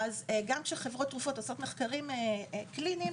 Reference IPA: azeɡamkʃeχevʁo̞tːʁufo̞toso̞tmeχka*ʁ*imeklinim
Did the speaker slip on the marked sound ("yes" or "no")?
no